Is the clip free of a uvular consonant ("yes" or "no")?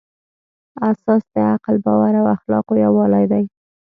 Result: no